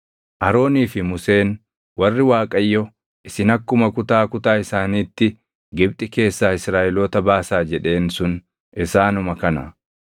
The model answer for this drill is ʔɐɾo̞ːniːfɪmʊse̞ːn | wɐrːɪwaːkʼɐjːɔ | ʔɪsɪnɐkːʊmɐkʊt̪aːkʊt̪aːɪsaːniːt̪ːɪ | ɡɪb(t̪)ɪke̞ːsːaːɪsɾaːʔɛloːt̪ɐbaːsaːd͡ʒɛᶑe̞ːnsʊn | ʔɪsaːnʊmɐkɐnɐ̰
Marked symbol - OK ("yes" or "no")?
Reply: no